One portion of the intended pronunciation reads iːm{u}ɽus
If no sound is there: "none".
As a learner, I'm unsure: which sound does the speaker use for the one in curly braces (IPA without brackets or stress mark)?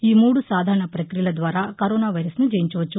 uː